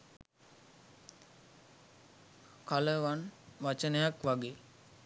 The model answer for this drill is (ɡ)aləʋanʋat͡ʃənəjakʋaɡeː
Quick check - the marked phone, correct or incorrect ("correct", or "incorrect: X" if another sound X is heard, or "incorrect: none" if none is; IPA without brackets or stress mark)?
incorrect: k